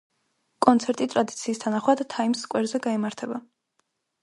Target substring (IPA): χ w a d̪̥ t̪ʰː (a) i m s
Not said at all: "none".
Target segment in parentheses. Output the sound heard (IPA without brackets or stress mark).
a